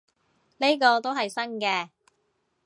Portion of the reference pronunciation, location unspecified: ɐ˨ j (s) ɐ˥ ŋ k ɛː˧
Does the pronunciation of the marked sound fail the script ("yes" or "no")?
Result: no